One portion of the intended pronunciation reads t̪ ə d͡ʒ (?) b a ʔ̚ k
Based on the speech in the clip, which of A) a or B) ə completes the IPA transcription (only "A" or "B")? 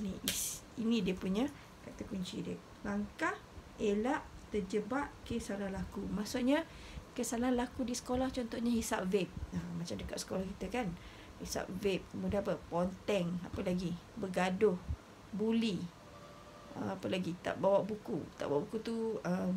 B